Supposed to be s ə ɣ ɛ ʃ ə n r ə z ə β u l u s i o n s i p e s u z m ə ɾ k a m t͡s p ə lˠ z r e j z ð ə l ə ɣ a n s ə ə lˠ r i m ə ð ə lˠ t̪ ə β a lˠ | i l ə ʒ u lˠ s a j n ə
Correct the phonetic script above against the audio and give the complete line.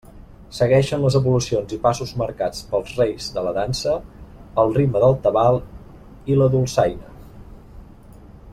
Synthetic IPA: s ə ɣ ɛ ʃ ə n l ə z ə β u l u s i o n z i p a s u z m ə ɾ k a t͡s p ə lˠ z r e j z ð ə l ə ð a n s ə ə lˠ r i m ə ð ə lˠ t̪ ə β a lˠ | i l ə ð u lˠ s a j n ə